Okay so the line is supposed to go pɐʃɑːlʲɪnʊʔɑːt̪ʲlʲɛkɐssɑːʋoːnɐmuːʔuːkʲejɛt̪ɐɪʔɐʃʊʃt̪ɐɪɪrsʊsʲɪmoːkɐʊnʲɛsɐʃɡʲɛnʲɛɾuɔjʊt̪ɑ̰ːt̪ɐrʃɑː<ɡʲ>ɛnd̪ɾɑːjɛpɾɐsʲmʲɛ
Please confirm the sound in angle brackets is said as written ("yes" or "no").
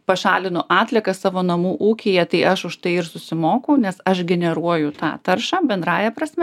no